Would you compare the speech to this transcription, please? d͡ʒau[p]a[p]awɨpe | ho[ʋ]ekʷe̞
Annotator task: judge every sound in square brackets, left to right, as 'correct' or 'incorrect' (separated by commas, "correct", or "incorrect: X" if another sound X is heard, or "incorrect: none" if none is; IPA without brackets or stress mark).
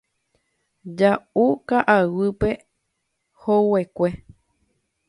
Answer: incorrect: k, incorrect: ʔ, incorrect: w